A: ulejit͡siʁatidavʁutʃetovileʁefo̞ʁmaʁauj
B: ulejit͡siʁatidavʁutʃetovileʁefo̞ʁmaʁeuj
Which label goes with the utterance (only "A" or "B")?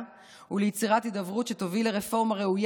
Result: B